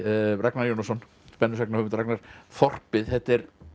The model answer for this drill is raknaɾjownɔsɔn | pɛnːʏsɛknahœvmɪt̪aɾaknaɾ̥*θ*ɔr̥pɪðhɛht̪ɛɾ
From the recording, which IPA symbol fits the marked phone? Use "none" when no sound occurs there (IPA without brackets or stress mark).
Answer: f